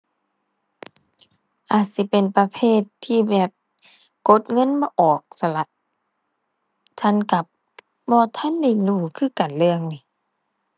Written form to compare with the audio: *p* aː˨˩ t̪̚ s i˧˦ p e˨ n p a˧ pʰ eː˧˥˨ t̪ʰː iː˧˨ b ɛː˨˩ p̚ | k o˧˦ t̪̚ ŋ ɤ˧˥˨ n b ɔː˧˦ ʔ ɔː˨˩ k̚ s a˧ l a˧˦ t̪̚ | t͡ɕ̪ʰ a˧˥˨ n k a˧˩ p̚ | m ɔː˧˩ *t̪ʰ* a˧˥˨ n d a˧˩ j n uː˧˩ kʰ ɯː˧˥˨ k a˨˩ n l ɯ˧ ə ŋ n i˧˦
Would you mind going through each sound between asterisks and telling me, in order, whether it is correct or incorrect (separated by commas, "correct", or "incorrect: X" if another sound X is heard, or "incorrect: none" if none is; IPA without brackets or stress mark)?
incorrect: ʔ, correct